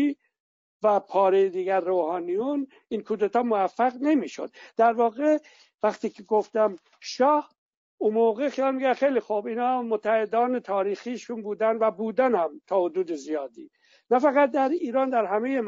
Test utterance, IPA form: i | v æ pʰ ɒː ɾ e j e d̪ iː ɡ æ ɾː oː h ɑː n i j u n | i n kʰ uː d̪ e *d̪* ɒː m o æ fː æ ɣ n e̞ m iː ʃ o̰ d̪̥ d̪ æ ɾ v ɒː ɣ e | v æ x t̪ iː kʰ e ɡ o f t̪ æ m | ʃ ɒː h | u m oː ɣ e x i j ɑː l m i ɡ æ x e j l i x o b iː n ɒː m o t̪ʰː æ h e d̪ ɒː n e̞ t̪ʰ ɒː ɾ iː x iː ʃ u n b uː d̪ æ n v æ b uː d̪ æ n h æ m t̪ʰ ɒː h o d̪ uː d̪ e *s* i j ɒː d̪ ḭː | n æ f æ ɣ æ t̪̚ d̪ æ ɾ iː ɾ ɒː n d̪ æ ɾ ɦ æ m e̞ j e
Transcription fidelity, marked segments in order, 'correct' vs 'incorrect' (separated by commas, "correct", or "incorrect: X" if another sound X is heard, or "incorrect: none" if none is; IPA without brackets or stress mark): incorrect: t̪, incorrect: z